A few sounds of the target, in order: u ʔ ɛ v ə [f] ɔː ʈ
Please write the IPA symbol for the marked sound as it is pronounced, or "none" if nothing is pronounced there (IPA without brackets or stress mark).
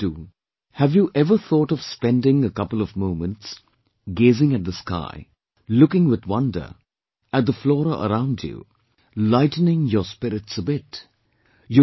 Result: θ